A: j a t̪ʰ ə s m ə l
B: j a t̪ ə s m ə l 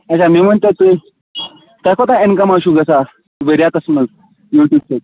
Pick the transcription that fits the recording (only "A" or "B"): B